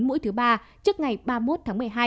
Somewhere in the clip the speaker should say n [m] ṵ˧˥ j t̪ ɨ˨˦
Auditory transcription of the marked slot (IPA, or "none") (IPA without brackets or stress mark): m